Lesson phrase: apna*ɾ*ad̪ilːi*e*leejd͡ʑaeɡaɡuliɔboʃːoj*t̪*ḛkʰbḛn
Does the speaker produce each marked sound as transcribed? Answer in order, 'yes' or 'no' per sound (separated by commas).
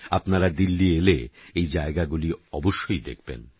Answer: yes, yes, no